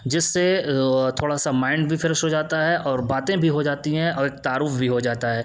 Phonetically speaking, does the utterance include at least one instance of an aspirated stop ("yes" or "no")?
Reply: yes